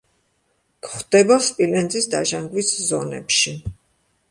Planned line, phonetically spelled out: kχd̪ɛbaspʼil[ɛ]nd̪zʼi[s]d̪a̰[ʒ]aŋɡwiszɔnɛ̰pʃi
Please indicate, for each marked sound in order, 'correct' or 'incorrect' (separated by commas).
correct, correct, correct